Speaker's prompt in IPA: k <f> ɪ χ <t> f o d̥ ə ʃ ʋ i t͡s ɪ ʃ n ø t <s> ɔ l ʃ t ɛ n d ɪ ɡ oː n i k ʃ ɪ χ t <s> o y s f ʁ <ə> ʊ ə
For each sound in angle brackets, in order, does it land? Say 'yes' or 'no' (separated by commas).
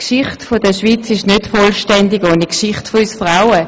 no, yes, no, no, no